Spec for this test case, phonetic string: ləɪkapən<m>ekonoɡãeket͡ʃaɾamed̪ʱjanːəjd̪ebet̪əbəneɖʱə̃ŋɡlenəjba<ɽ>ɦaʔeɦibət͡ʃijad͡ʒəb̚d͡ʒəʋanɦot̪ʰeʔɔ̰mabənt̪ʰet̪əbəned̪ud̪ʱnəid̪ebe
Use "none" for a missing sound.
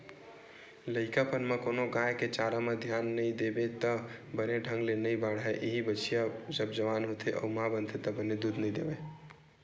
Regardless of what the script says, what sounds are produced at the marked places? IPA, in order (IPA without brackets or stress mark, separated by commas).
m, ɽ